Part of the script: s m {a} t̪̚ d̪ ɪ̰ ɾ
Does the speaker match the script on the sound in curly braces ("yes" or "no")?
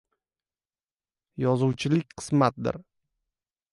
yes